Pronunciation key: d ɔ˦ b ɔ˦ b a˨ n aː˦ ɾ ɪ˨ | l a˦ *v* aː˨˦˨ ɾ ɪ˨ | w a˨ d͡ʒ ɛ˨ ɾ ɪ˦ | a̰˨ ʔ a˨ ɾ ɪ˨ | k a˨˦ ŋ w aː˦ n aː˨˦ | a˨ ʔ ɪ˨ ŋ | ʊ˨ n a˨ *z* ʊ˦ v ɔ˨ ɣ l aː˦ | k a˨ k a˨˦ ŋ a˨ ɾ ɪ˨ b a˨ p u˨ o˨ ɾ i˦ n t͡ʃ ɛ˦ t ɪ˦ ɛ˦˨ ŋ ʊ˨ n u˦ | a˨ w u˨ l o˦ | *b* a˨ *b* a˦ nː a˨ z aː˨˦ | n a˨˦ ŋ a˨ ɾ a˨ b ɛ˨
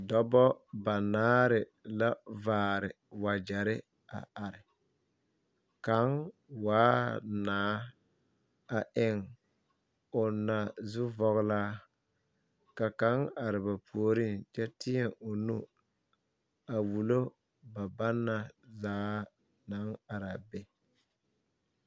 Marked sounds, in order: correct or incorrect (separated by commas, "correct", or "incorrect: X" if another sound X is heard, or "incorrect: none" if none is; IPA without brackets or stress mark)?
correct, correct, correct, correct